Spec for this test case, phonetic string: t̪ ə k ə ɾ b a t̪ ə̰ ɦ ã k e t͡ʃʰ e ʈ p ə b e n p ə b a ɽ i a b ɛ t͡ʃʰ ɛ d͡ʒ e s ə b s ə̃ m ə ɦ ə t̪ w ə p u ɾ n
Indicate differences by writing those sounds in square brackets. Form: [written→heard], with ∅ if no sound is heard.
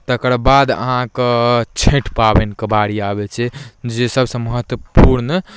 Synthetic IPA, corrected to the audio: t̪ ə k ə ɾ b a [t̪→d̪] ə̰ ɦ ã k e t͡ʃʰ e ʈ p [ə→a] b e n [p→k] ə b a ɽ i a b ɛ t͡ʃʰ ɛ d͡ʒ e s ə b s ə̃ m ə ɦ ə t̪ w ə p u ɾ n